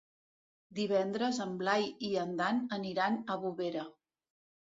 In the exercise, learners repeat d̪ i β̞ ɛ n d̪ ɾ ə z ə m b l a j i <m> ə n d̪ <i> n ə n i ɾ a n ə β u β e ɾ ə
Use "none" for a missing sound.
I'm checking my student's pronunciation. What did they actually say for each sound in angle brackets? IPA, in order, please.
none, a

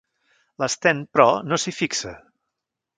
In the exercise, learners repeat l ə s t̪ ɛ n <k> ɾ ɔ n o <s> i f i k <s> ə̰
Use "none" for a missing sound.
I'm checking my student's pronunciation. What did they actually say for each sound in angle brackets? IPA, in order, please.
p, s, s

